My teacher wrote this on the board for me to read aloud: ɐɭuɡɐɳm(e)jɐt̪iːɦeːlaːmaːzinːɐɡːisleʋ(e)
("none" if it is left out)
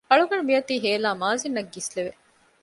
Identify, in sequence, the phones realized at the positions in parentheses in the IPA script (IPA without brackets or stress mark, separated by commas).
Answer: i, e